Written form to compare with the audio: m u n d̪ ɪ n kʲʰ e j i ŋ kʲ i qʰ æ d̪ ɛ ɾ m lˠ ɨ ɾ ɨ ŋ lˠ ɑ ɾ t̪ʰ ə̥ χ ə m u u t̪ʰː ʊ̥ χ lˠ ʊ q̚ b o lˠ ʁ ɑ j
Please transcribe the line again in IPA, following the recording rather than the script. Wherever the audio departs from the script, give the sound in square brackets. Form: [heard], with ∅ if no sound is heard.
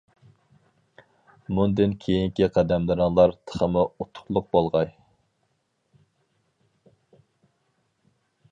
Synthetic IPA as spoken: m u n d̪ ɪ n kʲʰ e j i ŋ kʲ i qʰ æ d̪ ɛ [∅] m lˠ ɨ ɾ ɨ ŋ lˠ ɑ ɾ t̪ʰ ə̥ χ ə m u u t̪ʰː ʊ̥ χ lˠ ʊ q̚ b o lˠ ʁ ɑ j

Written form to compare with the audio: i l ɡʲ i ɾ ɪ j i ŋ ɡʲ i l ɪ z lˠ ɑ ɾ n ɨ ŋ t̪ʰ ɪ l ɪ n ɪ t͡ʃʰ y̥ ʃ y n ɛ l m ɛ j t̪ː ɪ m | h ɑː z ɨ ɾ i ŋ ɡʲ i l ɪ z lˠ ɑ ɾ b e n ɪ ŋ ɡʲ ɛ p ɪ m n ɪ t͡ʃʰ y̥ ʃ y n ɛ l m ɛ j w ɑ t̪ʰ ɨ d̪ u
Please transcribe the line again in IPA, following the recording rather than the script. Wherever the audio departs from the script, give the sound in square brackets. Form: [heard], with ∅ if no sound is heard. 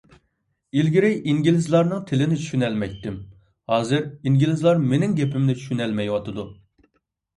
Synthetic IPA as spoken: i l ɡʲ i ɾ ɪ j i ŋ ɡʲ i l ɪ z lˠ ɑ ɾ n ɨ ŋ t̪ʰ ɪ l ɪ n ɪ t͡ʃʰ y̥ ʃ y n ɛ l m ɛ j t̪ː ɪ m | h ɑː z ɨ ɾ i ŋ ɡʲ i l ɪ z lˠ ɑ ɾ [m] e n ɪ ŋ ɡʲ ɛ p ɪ m n ɪ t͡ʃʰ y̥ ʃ y n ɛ l m ɛ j w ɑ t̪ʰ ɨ d̪ u

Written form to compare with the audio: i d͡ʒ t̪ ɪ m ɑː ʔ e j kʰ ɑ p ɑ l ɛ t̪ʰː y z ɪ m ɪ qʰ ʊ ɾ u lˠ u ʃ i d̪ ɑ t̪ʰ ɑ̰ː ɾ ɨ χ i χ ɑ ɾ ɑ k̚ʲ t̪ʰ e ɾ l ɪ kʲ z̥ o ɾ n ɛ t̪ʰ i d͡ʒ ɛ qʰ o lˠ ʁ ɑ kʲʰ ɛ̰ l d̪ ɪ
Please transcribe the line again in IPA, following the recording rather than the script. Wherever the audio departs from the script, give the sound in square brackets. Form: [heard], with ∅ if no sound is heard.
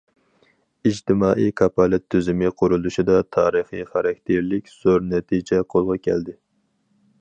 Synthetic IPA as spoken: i d͡ʒ t̪ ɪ m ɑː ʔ [i] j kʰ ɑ p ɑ l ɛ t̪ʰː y z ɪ m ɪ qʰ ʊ ɾ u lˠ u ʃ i d̪ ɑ t̪ʰ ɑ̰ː ɾ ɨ χ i χ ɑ ɾ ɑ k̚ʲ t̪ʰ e ɾ l ɪ kʲ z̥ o ɾ n ɛ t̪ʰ i d͡ʒ ɛ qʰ o lˠ ʁ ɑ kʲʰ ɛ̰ l d̪ ɪ

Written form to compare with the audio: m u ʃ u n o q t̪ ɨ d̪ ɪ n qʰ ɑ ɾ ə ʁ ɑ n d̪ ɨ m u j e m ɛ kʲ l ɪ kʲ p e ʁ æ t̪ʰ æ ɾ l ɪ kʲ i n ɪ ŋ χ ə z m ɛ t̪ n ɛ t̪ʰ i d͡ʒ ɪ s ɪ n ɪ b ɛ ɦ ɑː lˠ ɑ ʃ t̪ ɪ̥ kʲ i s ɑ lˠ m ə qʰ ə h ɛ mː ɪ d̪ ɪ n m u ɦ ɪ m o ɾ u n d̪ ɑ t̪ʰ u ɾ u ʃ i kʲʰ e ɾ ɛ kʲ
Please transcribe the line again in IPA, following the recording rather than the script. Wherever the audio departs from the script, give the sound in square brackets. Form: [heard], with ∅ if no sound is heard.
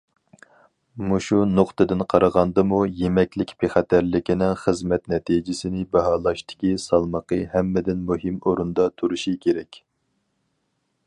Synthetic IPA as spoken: m u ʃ u n o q t̪ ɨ d̪ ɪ n qʰ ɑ ɾ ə ʁ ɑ n d̪ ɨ m u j e m ɛ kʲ l ɪ kʲ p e [χ] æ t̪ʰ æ ɾ l ɪ kʲ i n ɪ ŋ χ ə z m ɛ t̪ n ɛ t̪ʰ i d͡ʒ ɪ s ɪ n ɪ b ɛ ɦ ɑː lˠ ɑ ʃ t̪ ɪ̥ kʲ i s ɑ lˠ m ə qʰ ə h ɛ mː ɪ d̪ ɪ n m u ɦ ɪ m o ɾ u n d̪ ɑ t̪ʰ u ɾ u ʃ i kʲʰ e ɾ ɛ kʲ

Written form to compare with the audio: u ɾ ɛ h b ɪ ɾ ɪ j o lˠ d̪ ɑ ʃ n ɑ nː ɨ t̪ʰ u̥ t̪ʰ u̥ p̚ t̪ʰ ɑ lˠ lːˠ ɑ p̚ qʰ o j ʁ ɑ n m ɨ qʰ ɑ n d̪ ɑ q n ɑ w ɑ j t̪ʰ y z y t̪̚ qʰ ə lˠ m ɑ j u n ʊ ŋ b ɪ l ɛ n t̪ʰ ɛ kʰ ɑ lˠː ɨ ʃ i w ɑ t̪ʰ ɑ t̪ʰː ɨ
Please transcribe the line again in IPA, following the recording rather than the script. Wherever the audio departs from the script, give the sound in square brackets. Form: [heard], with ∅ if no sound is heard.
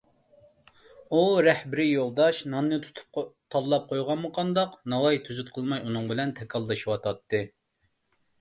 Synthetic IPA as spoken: u ɾ ɛ h b ɪ ɾ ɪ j o lˠ d̪ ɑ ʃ n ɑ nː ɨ t̪ʰ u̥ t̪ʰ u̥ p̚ t̪ʰ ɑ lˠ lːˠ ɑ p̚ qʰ o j ʁ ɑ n m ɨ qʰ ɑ n d̪ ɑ q n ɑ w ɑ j t̪ʰ y z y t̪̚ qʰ ə lˠ m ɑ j u n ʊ ŋ b ɪ l ɛ n t̪ʰ ɛ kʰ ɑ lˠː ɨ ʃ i w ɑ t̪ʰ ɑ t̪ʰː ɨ

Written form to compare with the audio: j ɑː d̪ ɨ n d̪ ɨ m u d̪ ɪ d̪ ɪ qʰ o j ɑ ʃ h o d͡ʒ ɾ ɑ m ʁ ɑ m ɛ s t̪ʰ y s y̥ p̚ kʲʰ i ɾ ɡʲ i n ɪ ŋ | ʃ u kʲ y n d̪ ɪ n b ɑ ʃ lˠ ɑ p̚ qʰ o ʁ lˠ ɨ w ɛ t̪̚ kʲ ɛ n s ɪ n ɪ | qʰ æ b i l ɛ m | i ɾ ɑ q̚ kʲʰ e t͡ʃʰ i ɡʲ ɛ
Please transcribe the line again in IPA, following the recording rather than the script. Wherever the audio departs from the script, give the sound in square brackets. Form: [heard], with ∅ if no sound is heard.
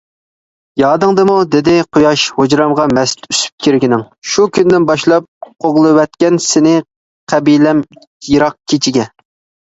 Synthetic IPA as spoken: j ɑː d̪ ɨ [ŋ] d̪ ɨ m u d̪ ɪ d̪ ɪ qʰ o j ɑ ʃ h o d͡ʒ ɾ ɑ m ʁ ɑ m ɛ s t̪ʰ y s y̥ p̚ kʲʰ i ɾ ɡʲ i n ɪ ŋ | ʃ u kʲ y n d̪ ɪ n b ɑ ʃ lˠ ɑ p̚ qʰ o ʁ lˠ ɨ w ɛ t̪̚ kʲ ɛ n s ɪ n ɪ | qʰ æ b i l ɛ m | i ɾ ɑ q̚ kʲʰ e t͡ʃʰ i ɡʲ ɛ

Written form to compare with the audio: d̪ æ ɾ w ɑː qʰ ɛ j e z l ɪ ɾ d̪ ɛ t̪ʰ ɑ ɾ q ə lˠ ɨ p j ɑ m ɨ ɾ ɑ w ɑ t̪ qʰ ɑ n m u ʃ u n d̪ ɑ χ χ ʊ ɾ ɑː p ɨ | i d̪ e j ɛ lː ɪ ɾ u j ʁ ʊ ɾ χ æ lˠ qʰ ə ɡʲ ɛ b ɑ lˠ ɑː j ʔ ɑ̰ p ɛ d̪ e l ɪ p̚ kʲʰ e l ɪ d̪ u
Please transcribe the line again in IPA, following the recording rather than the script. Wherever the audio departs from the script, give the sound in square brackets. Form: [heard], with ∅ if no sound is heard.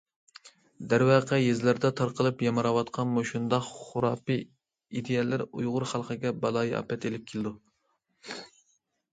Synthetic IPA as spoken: d̪ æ ɾ w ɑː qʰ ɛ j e z l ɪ ɾ d̪ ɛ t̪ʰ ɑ ɾ q ə lˠ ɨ p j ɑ m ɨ ɾ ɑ w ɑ t̪ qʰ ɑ n m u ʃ u n d̪ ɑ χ χ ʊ ɾ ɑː p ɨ | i d̪ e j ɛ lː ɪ ɾ u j ʁ ʊ ɾ χ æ lˠ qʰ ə ɡʲ ɛ b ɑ lˠ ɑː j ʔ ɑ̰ p ɛ [t̪] e l ɪ p̚ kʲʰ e l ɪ d̪ u

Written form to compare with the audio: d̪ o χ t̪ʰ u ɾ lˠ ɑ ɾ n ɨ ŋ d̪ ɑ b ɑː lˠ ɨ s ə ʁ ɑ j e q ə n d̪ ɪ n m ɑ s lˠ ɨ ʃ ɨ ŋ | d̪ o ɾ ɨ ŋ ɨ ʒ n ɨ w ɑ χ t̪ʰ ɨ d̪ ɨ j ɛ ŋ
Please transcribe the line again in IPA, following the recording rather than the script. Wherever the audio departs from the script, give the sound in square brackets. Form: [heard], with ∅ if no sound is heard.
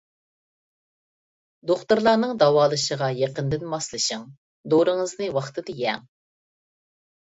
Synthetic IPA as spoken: d̪ o χ [t̪] u ɾ lˠ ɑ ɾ n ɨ ŋ d̪ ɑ [w] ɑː lˠ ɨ [ʃ] ə ʁ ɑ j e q ə n d̪ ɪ n m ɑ s lˠ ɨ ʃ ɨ ŋ | d̪ o ɾ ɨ ŋ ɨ [z] n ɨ w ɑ χ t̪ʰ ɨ d̪ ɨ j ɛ ŋ

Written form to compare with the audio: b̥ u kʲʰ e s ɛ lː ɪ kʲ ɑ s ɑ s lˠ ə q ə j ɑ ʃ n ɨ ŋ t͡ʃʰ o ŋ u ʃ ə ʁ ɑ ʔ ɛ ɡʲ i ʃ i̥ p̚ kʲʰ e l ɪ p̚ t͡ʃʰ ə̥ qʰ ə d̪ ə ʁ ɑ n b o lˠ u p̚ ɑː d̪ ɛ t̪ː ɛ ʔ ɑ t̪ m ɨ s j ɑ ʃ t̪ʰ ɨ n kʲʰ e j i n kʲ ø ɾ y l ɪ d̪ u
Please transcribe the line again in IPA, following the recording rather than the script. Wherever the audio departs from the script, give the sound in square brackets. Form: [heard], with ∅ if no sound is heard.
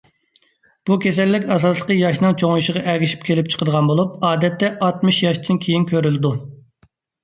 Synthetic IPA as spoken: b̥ u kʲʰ e s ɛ lː ɪ kʲ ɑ s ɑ s lˠ ə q ə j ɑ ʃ n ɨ ŋ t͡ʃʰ o ŋ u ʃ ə ʁ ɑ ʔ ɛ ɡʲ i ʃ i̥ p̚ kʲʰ e l ɪ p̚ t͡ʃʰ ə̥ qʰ ə d̪ ə ʁ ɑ n b o lˠ u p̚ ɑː d̪ ɛ t̪ː ɛ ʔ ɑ t̪ m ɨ [ʃ] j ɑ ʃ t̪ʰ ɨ n kʲʰ e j i n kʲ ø ɾ y l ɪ d̪ u

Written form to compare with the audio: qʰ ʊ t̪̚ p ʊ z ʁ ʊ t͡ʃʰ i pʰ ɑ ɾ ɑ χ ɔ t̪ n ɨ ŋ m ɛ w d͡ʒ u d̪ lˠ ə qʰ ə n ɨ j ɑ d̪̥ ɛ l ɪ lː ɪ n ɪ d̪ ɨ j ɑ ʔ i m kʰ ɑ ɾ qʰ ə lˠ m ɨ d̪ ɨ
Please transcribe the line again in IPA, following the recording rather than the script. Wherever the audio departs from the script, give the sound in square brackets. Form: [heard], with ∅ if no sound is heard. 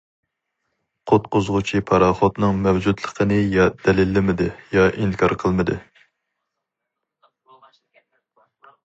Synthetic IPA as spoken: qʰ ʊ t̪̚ [q] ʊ z ʁ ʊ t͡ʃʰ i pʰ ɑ ɾ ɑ χ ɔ t̪ n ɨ ŋ m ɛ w d͡ʒ u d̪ lˠ ə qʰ ə n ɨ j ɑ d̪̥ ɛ l ɪ lː ɪ [m] ɪ d̪ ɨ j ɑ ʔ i [ŋ] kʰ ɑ ɾ qʰ ə lˠ m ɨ d̪ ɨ

